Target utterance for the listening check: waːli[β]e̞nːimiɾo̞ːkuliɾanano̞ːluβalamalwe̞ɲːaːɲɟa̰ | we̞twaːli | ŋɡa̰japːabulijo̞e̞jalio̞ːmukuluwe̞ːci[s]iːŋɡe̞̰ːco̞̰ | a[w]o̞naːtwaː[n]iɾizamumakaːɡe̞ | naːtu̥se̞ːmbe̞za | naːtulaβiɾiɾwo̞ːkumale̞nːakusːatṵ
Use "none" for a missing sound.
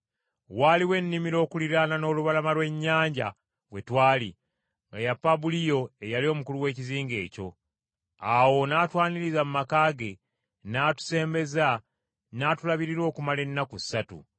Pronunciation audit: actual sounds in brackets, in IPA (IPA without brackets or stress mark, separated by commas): w, z, w, n